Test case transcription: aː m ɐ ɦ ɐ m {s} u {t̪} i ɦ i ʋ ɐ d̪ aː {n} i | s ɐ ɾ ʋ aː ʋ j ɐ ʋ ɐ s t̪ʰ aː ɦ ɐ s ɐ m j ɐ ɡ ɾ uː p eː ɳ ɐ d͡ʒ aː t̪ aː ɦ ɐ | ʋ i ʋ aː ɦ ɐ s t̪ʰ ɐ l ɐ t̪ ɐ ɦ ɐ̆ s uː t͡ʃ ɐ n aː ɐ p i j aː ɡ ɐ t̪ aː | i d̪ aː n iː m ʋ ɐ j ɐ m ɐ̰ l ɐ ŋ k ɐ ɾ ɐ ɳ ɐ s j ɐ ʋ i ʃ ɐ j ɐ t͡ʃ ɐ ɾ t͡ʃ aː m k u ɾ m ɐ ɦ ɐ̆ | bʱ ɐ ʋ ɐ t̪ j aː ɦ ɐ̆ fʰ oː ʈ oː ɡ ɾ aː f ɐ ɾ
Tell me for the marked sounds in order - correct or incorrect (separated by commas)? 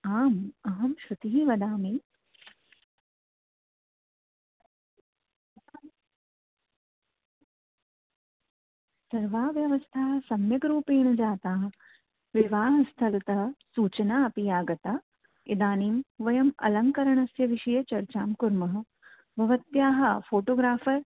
incorrect, correct, incorrect